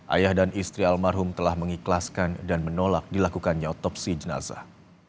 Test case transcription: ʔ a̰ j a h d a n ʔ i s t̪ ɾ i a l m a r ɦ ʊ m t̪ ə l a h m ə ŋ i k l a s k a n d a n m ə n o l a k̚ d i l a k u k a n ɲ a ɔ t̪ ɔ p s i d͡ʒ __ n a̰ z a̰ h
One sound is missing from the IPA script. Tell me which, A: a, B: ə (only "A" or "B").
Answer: B